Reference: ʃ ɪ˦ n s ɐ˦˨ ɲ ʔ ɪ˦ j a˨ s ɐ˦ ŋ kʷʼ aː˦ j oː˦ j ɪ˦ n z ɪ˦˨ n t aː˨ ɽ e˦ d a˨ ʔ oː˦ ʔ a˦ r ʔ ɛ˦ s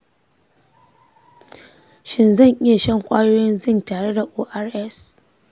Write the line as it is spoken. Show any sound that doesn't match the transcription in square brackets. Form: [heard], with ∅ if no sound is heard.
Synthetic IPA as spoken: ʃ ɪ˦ n [z] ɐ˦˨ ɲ ʔ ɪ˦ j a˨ [ʃ] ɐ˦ ŋ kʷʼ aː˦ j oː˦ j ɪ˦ n z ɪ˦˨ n t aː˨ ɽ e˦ d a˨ ʔ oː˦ ʔ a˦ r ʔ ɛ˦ s